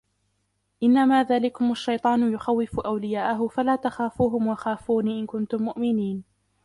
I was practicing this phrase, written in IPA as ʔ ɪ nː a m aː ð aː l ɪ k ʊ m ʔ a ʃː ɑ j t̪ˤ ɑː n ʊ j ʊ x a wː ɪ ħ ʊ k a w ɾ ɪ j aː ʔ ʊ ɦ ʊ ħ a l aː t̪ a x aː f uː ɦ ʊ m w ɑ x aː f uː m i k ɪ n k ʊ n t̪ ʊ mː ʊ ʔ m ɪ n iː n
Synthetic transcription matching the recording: ʔ ɪ nː a m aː ð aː l ɪ k ʊ m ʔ a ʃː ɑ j t̪ˤ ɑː n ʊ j ʊ x a wː ɪ f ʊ ʔ a w l ɪ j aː ʔ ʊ ɦ ʊ f a l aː t̪ a x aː f uː ɦ ʊ m w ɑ x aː f uː n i ʔ ɪ n k ʊ n t̪ ʊ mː ʊ ʔ m ɪ n iː n